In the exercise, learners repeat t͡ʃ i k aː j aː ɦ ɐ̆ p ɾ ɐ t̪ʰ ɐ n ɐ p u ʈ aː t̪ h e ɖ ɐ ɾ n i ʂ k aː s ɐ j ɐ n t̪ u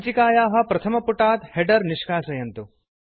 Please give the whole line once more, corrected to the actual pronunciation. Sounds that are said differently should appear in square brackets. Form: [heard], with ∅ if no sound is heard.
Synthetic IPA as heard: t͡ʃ i k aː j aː ɦ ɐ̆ p ɾ ɐ t̪ʰ ɐ [m] ɐ p u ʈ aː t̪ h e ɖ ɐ ɾ n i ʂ k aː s ɐ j ɐ n t̪ u